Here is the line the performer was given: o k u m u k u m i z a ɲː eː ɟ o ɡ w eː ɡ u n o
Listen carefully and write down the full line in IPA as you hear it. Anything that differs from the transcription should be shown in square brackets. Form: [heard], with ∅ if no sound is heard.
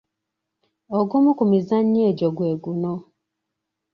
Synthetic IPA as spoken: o [ɡ] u m u k u m i z a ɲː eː ɟ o ɡ w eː ɡ u n o